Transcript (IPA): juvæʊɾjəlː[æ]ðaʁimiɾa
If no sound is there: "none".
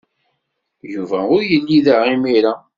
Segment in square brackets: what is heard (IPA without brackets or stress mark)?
i